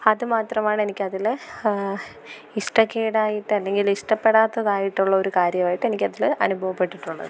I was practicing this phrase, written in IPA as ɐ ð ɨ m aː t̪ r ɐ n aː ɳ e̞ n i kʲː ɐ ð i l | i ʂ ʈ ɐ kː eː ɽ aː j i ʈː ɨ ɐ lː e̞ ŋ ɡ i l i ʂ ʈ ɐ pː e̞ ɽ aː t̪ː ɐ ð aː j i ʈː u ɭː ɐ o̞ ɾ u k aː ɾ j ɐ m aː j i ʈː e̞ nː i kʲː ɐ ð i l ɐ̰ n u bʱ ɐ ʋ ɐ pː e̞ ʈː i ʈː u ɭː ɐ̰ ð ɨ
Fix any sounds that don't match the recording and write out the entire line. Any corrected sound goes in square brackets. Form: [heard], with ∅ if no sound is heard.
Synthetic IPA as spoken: ɐ ð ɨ m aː t̪ r ɐ [m] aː ɳ e̞ n i kʲː ɐ ð i l | i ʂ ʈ ɐ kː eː ɽ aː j i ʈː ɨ ɐ lː e̞ ŋ ɡ i l i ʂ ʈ ɐ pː e̞ ɽ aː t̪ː ɐ ð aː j i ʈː u ɭː ɐ o̞ ɾ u k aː ɾ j ɐ m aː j i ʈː e̞ [n] i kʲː ɐ ð i l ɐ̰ n u bʱ ɐ ʋ ɐ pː e̞ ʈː i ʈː u ɭː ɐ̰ ð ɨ